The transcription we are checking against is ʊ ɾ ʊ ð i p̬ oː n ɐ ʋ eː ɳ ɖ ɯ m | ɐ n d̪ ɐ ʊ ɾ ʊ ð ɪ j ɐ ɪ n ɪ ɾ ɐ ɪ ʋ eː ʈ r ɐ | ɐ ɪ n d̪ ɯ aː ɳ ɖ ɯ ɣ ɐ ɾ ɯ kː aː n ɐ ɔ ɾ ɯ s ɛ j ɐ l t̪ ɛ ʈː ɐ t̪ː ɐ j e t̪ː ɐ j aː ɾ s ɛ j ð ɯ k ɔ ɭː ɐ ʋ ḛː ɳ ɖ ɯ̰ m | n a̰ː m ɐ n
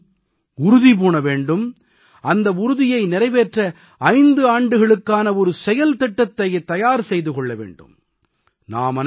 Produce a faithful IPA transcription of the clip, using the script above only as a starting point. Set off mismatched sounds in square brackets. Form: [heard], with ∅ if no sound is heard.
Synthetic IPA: ʊ ɾ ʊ ð i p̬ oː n ɐ ʋ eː ɳ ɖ ɯ m | ɐ n d̪ ɐ ʊ ɾ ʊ ð ɪ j ɐ ɪ n ɪ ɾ ɐ ɪ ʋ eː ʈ r ɐ | ɐ ɪ n d̪ ɯ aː ɳ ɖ ɯ ɣ ɐ [ɭ] ɯ kː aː n ɐ ɔ ɾ ɯ s ɛ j ɐ l t̪ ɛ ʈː ɐ t̪ː ɐ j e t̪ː ɐ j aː ɾ s ɛ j ð ɯ k ɔ ɭː ɐ ʋ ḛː ɳ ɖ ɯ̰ m | n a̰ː m ɐ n